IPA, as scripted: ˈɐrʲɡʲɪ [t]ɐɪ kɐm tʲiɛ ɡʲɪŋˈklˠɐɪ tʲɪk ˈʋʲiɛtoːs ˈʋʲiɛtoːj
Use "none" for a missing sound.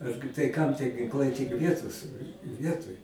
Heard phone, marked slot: t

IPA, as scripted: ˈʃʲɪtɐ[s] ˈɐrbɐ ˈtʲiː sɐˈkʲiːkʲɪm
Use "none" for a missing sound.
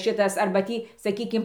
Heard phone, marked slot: s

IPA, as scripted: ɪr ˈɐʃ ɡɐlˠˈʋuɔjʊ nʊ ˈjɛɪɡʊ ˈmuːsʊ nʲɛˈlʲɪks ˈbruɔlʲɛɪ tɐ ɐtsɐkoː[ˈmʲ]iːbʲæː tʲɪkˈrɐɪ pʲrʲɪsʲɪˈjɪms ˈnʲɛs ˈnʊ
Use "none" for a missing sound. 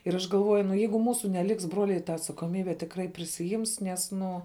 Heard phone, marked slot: mʲ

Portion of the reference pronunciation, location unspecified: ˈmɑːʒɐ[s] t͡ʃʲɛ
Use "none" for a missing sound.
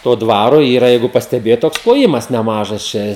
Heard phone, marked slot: s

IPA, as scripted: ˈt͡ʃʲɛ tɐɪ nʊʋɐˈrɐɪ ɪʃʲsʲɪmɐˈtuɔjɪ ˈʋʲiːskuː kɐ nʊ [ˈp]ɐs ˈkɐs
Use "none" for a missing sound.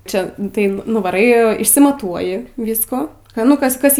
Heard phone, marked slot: k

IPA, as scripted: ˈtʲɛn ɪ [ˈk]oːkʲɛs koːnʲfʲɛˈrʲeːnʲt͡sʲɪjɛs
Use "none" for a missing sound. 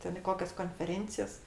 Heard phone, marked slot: k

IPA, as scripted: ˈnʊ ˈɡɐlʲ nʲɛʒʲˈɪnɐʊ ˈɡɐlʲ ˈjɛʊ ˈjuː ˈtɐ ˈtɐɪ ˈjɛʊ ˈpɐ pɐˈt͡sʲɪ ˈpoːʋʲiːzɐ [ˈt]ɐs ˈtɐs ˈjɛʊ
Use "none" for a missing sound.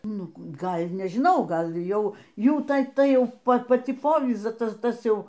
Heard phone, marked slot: t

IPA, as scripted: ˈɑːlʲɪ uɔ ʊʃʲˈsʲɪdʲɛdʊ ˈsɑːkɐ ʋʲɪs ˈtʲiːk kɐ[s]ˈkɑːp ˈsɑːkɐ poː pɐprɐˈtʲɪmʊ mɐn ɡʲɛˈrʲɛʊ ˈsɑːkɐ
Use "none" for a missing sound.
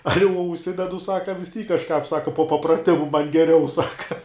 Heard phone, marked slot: ʃ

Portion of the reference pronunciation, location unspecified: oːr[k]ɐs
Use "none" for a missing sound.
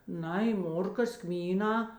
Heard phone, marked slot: k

